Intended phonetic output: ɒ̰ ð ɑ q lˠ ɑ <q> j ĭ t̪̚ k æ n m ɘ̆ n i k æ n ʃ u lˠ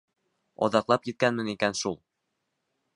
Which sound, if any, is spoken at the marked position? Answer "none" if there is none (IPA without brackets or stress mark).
p